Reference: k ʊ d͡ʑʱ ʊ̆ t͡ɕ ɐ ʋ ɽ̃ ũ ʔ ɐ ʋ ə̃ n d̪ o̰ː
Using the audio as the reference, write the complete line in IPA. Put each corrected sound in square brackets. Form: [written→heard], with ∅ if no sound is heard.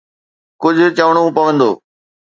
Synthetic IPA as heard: k ʊ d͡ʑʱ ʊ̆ t͡ɕ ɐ ʋ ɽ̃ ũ [ʔ→p] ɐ ʋ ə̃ n d̪ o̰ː